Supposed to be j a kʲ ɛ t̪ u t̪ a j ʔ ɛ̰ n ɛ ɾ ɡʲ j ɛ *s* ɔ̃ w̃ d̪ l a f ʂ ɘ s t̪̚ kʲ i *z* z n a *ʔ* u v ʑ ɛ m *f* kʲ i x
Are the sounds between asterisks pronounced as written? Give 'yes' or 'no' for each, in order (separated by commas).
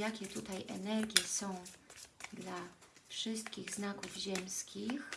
yes, no, no, no